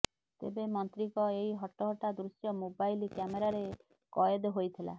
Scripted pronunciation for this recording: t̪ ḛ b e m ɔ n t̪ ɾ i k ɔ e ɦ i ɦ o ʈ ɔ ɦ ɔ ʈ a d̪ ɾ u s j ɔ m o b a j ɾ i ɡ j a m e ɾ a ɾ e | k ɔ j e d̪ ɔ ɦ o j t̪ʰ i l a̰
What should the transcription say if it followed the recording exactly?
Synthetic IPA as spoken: t̪ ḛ b e m ɔ n t̪ ɾ i k ɔ e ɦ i ɦ ɔ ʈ ɔ ɦ ɔ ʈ a d̪ ɾ u s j ɔ m o b a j l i k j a m e ɾ a ɾ e | k ɔ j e d̪ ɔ ɦ o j t̪ʰ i l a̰